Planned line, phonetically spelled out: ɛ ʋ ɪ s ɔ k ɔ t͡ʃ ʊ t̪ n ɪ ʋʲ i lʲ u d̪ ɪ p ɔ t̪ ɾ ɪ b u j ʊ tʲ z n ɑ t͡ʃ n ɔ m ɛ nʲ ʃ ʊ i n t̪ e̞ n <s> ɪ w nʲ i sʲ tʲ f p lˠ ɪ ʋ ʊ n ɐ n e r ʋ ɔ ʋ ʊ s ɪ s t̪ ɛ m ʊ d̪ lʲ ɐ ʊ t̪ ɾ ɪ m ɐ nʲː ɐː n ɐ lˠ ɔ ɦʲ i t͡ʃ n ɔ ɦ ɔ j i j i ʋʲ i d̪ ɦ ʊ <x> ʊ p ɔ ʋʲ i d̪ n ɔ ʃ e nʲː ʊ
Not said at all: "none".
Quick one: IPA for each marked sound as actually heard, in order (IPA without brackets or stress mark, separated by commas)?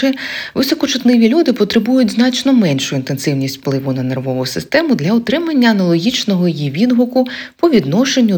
s, k